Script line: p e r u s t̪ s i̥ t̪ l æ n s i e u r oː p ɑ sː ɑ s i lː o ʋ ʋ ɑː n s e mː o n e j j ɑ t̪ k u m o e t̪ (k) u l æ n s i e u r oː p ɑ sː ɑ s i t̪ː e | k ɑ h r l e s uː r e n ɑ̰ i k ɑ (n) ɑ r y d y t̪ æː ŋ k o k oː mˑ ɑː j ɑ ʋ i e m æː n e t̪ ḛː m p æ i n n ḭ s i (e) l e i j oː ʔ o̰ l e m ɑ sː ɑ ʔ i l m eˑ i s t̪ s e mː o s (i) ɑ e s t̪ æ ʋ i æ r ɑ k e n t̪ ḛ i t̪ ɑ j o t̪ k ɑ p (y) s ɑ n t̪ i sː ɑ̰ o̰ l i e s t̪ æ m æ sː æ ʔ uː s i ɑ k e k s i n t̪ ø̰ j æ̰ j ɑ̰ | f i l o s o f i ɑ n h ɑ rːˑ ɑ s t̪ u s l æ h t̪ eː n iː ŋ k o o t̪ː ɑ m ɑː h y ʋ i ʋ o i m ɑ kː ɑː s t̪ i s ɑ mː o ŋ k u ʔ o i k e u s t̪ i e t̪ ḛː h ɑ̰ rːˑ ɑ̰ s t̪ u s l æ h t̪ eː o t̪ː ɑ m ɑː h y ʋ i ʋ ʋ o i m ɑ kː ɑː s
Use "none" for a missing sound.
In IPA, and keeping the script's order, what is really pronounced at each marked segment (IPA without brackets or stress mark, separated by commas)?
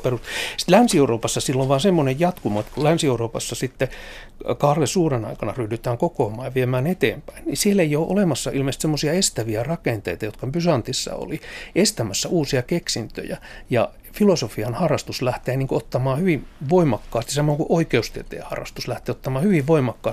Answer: k, n, e, i, y